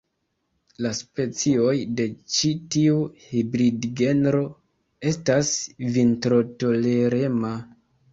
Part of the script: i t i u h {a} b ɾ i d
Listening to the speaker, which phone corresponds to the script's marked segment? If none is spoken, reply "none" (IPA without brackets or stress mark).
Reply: i